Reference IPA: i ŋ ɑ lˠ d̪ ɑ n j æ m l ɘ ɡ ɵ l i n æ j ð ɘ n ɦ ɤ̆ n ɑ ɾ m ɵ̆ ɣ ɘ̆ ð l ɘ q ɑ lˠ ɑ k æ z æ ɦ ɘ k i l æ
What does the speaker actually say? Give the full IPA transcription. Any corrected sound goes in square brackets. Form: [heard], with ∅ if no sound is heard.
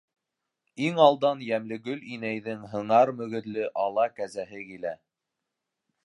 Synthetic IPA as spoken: i ŋ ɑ lˠ d̪ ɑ n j æ m l ɘ ɡ ɵ l i n æ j ð ɘ [ŋ] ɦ ɤ̆ [ɴ] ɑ ɾ m ɵ̆ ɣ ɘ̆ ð l ɘ [ʔ] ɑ lˠ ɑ k æ z æ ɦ ɘ k i l æ